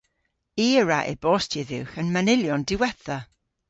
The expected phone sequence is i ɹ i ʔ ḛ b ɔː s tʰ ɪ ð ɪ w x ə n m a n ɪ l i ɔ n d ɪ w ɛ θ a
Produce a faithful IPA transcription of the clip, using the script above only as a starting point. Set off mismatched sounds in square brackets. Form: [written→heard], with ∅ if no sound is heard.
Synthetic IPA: i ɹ [i→a] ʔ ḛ b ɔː s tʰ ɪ ð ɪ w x ə n m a n ɪ l [i→j] ɔ n d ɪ w ɛ θ a